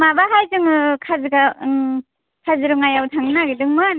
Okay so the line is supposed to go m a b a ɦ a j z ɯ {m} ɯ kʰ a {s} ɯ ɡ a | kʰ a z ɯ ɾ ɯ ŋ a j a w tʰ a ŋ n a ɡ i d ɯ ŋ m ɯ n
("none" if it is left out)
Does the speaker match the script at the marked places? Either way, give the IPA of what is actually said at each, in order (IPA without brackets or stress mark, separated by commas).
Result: ŋ, z